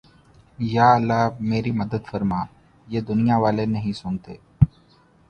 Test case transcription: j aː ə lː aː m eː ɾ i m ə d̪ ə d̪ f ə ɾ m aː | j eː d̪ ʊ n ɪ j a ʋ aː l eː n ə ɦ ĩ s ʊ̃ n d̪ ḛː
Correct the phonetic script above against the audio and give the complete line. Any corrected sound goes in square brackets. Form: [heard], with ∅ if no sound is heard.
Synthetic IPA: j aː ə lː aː m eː ɾ i m ə d̪ ə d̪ f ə ɾ m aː | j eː d̪ ʊ n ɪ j a ʋ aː l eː n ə ɦ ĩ s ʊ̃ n [t̪] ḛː